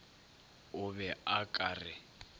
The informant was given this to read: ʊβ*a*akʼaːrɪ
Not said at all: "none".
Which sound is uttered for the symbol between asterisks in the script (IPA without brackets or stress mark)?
ɛ